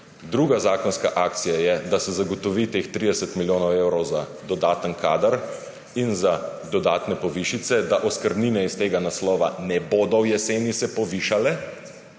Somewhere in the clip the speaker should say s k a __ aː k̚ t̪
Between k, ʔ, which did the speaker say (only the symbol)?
ʔ